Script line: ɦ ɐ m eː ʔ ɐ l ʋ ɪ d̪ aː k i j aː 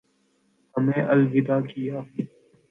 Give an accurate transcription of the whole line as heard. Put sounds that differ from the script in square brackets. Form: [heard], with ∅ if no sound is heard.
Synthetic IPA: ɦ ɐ m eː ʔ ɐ l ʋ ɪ d̪ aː k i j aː